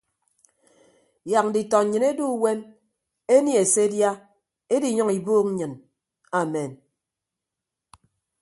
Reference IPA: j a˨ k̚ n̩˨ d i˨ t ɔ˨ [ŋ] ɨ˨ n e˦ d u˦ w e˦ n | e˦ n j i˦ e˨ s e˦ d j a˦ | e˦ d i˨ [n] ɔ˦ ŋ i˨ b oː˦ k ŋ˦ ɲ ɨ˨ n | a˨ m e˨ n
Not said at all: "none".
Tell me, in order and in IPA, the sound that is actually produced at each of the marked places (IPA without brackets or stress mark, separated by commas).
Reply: ɲ, ɲ